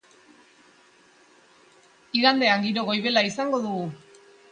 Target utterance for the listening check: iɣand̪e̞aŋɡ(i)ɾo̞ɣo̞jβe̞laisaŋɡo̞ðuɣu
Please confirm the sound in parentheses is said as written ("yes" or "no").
yes